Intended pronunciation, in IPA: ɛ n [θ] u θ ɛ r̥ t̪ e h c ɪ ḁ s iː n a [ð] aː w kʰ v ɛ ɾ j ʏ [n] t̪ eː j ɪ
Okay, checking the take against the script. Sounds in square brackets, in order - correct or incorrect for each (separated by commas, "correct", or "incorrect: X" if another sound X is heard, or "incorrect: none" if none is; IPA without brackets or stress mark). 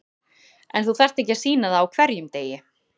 correct, correct, incorrect: m